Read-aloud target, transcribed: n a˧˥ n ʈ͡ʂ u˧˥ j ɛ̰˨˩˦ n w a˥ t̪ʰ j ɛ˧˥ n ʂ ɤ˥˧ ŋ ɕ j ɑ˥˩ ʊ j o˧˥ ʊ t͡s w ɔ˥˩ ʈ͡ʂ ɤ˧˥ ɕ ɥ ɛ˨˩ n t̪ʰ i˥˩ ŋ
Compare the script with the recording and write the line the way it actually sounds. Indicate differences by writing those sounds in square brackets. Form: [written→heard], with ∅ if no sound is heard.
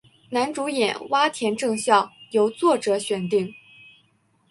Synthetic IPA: n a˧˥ n ʈ͡ʂ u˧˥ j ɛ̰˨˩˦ n w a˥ t̪ʰ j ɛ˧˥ n [ʂ→ʈ͡ʂ] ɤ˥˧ ŋ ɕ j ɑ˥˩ ʊ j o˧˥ ʊ t͡s w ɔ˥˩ ʈ͡ʂ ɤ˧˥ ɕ ɥ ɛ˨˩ n [t̪ʰ→t̪] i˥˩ ŋ